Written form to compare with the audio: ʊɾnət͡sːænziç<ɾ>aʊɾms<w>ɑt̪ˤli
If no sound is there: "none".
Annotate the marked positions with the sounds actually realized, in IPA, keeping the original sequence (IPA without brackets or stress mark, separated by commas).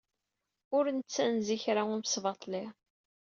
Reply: ɾ, v